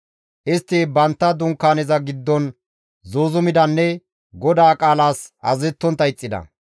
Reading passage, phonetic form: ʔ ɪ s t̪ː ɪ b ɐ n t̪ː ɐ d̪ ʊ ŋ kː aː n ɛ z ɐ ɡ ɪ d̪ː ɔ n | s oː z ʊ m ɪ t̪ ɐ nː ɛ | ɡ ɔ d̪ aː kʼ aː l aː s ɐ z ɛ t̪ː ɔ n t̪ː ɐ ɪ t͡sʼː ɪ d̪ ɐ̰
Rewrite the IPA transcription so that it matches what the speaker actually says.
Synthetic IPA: ʔ ɪ s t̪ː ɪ b ɐ n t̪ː ɐ d̪ ʊ ŋ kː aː n ɛ z ɐ ɡ ɪ d̪ː ɔ n | z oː z ʊ m ɪ d̪ ɐ nː ɛ | ɡ ɔ d̪ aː kʼ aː l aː s ɐ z ɛ t̪ː ɔ n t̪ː ɐ ɪ t͡sʼː ɪ d̪ ɐ̰